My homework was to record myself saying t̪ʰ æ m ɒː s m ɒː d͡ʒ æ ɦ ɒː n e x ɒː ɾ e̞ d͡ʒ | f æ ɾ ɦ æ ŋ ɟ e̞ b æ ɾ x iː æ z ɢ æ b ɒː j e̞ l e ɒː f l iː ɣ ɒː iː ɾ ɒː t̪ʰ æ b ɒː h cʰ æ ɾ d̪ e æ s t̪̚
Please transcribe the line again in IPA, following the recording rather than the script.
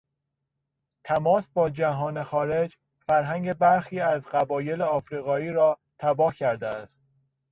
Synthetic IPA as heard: t̪ʰ æ m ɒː s b ɒː d͡ʒ æ ɦ ɒː n e x ɒː ɾ e̞ d͡ʒ | f æ ɾ ɦ æ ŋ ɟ e̞ b æ ɾ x iː æ z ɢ æ b ɒː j e̞ l e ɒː f ɾ iː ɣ ɒː iː ɾ ɒː t̪ʰ æ b ɒː h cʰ æ ɾ d̪ e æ s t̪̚